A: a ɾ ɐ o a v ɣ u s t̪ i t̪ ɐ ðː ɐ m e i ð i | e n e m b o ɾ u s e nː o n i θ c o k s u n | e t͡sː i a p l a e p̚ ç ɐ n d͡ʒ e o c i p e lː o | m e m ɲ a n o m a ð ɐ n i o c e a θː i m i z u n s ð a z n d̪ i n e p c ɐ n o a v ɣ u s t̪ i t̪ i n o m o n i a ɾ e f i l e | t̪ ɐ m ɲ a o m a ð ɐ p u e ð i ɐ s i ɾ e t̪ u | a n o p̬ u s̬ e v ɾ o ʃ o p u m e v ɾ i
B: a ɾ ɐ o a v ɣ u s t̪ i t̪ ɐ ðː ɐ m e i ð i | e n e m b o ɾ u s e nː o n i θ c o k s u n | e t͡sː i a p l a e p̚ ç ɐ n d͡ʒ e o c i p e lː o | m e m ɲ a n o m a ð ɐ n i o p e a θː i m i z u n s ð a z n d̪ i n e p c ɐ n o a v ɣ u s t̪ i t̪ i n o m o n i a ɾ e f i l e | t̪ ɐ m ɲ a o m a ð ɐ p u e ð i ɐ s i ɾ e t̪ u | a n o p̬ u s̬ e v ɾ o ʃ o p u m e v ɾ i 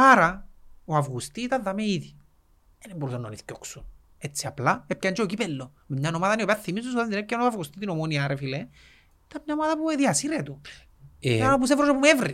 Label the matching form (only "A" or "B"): B